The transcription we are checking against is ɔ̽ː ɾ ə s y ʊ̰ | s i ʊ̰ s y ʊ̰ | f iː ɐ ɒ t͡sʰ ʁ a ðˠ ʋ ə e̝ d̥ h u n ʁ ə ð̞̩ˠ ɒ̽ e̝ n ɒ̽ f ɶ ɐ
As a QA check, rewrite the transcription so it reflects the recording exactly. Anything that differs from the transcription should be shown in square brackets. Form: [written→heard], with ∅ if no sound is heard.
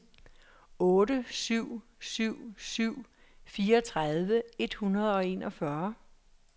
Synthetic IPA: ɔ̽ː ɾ ə s y ʊ̰ | s [i→y] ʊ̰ s y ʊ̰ | f iː ɐ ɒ t͡sʰ ʁ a ðˠ ʋ ə e̝ d̥ h u n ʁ [ə→ɐ] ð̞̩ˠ ɒ̽ e̝ n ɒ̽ f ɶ ɐ